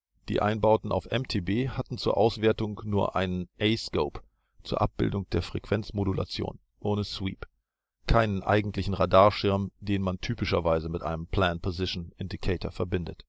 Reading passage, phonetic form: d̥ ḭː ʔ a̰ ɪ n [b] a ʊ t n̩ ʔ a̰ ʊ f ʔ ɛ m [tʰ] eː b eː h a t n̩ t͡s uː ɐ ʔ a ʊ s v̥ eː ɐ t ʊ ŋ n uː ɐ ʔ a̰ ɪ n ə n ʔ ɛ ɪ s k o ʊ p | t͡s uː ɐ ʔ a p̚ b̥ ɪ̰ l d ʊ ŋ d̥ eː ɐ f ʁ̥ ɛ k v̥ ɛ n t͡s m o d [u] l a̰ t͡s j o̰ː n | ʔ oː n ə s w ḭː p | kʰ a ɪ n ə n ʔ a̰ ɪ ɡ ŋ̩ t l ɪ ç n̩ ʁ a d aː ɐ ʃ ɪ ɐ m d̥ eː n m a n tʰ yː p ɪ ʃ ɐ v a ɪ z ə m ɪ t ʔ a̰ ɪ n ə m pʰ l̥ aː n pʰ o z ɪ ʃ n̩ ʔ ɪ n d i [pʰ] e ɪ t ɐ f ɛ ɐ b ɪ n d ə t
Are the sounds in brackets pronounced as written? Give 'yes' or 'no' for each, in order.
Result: yes, yes, yes, no

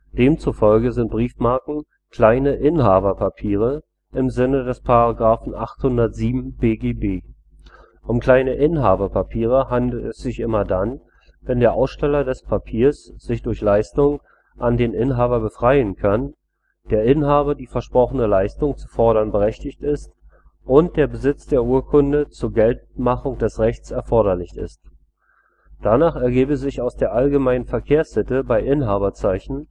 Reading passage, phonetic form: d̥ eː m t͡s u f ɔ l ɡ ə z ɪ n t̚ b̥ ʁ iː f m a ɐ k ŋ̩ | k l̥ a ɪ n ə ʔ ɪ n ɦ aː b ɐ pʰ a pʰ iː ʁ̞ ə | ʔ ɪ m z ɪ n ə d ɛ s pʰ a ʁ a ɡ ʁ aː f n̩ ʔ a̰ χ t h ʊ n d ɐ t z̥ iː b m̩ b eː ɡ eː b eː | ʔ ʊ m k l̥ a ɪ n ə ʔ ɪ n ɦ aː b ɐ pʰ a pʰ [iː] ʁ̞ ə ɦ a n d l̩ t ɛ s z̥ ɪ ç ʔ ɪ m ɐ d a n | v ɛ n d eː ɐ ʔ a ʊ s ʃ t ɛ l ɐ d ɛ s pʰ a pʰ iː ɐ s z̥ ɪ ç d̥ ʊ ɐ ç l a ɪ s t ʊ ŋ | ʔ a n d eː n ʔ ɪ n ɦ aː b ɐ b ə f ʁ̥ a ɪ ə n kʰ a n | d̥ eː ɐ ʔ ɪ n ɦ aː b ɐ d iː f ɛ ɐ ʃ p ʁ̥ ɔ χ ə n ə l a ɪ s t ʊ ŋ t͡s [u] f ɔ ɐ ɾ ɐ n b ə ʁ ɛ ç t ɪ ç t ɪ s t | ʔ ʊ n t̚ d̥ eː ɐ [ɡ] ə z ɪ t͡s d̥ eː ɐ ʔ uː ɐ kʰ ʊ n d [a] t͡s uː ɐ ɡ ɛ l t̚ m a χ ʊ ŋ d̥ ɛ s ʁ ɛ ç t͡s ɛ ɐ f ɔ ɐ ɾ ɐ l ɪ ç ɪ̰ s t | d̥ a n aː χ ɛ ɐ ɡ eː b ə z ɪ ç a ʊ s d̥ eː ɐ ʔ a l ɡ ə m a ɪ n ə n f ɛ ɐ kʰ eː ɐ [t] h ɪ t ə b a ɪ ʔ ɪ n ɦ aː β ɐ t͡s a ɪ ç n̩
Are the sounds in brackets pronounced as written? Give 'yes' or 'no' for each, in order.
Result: yes, yes, no, no, no

